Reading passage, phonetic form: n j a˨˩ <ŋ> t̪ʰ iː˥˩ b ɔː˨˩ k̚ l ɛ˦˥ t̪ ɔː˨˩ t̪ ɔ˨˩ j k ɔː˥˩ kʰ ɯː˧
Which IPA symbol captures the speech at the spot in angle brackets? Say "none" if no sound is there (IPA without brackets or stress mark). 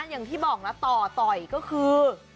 ŋ